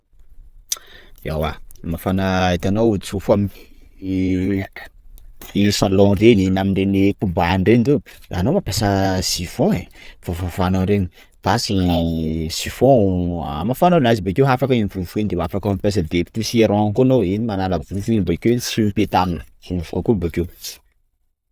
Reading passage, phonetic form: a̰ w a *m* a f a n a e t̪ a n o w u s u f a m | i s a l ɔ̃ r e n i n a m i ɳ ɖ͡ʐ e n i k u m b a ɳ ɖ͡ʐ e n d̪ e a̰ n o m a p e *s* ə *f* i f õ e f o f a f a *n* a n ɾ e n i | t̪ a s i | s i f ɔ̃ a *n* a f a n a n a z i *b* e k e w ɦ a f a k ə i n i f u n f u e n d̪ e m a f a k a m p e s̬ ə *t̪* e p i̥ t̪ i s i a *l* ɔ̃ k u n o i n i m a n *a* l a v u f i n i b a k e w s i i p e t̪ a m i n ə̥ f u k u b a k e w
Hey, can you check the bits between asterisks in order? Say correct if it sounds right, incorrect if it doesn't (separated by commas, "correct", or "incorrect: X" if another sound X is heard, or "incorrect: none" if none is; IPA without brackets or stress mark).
correct, correct, incorrect: s, correct, incorrect: m, correct, incorrect: d̪, incorrect: ɾ, correct